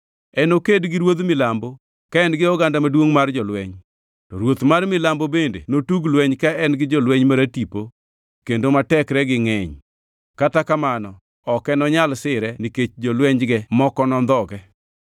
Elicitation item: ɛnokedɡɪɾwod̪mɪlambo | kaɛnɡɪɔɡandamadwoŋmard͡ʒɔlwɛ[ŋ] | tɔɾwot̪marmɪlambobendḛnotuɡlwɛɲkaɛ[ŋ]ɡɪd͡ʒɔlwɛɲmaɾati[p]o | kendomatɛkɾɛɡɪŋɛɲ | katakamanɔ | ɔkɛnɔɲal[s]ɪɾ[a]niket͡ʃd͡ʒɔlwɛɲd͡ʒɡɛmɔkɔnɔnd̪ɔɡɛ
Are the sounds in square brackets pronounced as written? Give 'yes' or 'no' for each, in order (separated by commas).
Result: no, no, yes, yes, no